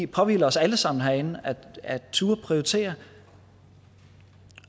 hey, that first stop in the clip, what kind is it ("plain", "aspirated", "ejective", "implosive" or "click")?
aspirated